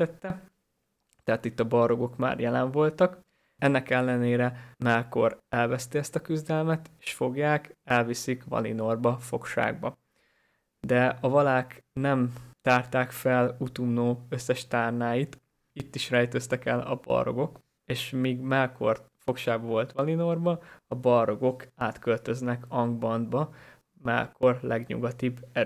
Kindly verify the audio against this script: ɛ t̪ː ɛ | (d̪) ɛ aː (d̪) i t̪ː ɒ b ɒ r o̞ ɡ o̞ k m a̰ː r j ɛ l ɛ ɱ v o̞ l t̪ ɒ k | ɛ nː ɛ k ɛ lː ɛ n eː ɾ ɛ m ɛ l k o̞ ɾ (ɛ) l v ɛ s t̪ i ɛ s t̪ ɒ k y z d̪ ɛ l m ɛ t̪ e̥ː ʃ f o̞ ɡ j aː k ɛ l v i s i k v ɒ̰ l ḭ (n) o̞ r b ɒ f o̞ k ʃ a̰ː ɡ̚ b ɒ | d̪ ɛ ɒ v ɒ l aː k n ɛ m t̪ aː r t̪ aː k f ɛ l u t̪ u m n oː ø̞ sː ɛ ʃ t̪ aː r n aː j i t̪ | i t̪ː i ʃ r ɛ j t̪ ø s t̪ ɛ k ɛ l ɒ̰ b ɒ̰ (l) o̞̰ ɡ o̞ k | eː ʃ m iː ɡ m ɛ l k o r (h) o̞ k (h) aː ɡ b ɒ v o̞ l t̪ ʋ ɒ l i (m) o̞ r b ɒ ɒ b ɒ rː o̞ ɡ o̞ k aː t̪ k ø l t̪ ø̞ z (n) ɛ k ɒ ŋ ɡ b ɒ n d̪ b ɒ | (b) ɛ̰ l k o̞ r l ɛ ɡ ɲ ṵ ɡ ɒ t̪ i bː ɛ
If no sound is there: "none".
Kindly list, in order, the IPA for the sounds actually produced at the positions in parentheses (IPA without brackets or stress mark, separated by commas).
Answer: t̪, t̪, ɛ, n, r, f, ʃ, n, n, m